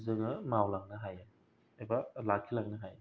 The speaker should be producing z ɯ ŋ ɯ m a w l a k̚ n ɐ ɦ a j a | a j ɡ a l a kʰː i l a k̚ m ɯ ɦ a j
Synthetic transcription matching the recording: z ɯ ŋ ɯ m a w l a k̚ n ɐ ɦ a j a | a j b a l a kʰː i l a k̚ n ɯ ɦ a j